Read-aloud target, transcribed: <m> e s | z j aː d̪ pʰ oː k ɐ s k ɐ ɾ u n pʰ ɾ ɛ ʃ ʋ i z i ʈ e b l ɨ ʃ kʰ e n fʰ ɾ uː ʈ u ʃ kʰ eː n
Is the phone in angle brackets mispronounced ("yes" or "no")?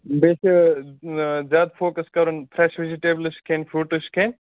yes